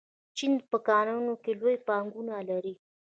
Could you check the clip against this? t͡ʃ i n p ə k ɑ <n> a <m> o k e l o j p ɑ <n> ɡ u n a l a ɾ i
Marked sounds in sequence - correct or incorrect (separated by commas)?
correct, incorrect, incorrect